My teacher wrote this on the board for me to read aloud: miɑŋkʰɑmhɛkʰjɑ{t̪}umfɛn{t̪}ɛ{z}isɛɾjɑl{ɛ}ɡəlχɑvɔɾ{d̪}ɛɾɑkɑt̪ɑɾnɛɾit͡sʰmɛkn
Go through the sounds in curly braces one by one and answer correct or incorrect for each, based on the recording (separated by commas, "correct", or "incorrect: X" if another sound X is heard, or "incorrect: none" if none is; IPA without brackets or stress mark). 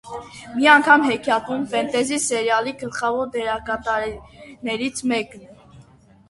correct, correct, correct, incorrect: i, correct